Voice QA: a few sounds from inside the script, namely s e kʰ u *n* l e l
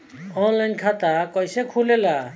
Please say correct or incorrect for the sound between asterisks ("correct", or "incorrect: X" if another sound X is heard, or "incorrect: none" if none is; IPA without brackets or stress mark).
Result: incorrect: none